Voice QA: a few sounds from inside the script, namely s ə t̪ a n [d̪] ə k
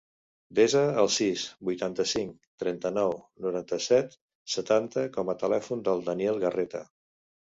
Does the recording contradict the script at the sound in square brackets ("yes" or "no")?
yes